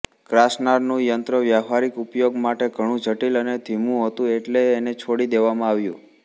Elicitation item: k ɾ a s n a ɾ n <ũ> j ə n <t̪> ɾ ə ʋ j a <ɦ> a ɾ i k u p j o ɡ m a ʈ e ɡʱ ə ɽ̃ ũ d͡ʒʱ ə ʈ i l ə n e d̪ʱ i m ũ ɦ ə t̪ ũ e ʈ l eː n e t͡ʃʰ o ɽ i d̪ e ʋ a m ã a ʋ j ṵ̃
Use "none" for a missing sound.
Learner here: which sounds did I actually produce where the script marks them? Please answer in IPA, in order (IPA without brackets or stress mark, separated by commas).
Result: ũ, t̪, ɦ